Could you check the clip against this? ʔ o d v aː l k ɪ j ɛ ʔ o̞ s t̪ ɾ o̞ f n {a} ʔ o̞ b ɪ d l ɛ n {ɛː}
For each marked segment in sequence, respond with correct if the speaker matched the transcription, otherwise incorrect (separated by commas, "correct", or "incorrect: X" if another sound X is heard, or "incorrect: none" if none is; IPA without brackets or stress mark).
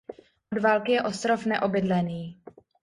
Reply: incorrect: ɛ, incorrect: iː